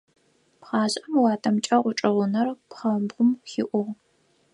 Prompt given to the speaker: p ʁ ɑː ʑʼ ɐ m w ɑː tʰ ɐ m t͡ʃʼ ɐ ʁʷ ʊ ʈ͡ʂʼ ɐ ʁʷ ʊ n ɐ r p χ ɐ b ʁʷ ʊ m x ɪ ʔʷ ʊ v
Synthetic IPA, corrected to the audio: p χ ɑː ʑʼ ɐ m w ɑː tʰ ɐ m t͡ʃʼ ɐ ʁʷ ʊ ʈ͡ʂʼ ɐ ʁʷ ʊ n ɐ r p χ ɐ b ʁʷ ʊ m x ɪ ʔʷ ʊ ʁ